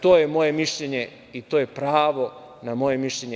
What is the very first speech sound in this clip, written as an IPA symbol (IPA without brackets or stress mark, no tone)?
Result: t̪